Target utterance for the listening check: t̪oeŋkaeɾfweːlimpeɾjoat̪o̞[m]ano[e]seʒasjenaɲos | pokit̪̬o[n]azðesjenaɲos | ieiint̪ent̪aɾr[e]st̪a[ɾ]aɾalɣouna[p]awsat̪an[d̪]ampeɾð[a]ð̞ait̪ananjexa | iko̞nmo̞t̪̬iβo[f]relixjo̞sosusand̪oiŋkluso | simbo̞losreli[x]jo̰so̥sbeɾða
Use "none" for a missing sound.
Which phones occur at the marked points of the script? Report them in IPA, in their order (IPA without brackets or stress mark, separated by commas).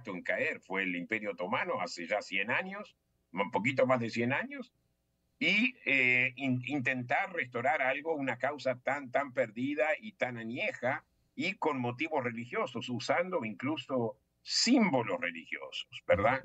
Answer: m, a, m, e, ɾ, k, t̪, i, s, x